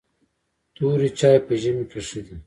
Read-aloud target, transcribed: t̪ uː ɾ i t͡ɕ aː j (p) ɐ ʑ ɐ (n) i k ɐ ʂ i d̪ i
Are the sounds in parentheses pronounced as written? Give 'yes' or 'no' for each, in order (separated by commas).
yes, no